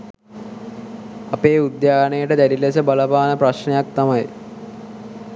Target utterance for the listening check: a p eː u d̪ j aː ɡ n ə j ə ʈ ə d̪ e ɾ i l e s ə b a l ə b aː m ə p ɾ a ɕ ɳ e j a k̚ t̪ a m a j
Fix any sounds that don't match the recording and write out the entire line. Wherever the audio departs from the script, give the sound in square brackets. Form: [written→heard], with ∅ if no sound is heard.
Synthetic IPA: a p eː u d̪ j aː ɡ n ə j ə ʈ ə d̪ [e→æ] ɾ i l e s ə b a l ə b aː [m→n] ə p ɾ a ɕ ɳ e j a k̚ t̪ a m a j